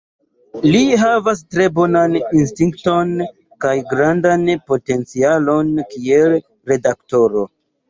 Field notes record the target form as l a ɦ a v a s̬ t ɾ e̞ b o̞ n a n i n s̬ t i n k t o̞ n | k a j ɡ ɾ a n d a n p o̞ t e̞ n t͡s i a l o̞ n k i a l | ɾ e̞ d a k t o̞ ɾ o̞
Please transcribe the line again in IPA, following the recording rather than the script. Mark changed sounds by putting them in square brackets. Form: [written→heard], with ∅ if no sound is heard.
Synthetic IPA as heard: l [a→i] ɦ a v a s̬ t ɾ e̞ b o̞ n a n i n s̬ t i [n→ŋ] k t o̞ n | k a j ɡ ɾ a n d a n p o̞ t e̞ n t͡s i a l o̞ n k i [a→e] l | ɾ e̞ d a k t o̞ ɾ o̞